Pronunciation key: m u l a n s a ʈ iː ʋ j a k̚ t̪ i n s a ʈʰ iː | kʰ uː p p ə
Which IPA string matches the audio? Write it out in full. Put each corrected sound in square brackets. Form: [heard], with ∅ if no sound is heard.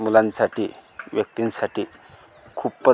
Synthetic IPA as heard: m u l a n s a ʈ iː ʋ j [ə] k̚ t̪ i n s a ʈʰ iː | kʰ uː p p ə